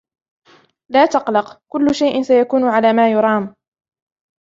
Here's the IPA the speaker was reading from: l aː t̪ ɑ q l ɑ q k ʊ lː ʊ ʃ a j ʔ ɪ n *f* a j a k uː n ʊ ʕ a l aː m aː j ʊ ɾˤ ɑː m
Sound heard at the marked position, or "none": s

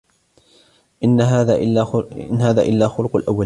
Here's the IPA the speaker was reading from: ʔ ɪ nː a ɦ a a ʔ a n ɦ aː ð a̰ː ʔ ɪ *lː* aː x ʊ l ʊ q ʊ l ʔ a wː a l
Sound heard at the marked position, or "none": lː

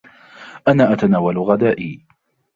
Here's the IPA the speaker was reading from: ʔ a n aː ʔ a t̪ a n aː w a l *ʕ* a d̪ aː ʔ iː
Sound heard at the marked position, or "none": ɣ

